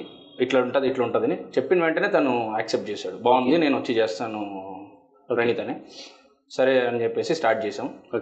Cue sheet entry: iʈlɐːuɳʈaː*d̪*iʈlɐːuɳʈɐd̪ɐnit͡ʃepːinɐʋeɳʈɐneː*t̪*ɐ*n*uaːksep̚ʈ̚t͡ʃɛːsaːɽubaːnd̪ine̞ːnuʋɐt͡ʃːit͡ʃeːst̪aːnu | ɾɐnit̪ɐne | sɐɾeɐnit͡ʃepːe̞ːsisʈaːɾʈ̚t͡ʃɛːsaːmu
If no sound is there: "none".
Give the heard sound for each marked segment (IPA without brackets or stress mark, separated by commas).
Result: d̪, t̪, n